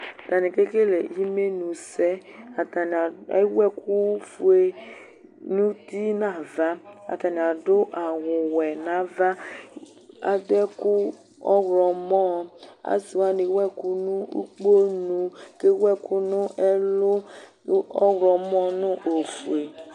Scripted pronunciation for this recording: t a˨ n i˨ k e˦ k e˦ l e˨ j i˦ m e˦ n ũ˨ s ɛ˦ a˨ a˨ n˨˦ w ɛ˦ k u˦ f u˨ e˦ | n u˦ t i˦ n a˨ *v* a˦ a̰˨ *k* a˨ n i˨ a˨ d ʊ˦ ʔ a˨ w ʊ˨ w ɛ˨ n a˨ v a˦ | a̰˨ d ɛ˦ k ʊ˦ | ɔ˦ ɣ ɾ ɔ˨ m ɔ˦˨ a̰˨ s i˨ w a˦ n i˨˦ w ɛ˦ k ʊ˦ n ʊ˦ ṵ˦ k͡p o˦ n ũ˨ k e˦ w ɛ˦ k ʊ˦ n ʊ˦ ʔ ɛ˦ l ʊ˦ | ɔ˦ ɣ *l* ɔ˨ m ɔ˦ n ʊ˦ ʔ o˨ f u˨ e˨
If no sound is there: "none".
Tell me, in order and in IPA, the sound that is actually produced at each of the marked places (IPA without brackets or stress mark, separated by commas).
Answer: v, t, ɾ